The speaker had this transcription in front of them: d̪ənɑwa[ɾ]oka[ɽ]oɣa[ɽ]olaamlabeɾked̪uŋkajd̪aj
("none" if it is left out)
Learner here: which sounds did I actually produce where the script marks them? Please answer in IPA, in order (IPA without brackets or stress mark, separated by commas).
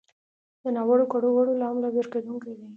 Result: ɽ, ɽ, ɽ